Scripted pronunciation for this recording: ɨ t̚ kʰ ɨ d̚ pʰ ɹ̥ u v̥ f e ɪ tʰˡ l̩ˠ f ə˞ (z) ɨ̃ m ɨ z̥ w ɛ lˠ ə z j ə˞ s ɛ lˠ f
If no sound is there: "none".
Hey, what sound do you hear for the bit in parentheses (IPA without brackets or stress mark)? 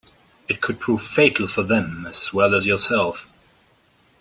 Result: ð